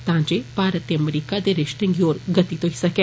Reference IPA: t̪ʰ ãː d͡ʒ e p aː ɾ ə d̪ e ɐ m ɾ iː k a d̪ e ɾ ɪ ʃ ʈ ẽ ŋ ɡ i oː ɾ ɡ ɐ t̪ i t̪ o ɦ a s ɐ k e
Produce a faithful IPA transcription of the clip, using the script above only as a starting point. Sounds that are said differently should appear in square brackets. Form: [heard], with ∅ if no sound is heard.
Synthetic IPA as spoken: [t̪] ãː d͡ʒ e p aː ɾ ə [t̪] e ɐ m ɾ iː k a d̪ e ɾ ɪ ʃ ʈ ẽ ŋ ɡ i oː ɾ ɡ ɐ t̪ i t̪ o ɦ [i] s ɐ k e